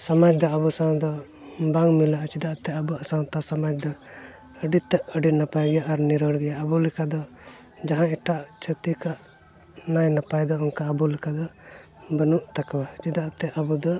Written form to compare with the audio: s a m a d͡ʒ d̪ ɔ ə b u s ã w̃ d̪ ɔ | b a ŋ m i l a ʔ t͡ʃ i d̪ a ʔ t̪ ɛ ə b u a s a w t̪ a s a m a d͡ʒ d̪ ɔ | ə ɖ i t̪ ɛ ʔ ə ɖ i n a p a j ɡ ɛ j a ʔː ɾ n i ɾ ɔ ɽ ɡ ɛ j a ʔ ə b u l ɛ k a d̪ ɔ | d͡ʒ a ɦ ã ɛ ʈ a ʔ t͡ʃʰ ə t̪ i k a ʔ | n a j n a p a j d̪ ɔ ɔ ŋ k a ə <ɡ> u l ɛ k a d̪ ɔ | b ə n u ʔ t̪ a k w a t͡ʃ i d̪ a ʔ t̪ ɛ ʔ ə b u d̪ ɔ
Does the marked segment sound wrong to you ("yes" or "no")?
yes